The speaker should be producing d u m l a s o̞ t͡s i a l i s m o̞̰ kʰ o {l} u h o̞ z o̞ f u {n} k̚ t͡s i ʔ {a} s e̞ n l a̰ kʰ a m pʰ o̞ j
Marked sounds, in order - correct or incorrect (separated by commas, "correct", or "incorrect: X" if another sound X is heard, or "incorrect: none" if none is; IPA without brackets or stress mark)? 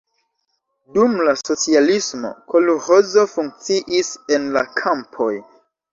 correct, incorrect: ŋ, incorrect: i